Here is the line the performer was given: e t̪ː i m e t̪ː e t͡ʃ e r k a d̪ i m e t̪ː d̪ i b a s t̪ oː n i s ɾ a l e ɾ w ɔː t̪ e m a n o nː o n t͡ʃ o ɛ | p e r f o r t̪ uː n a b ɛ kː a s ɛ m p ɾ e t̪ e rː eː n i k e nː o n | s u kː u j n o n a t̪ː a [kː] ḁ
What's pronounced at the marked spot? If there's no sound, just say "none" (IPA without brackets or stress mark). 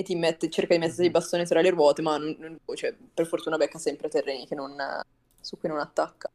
kː